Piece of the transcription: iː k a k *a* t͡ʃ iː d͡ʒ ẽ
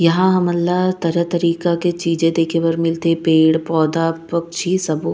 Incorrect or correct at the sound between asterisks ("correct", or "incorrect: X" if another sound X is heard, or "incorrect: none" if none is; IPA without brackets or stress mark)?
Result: incorrect: e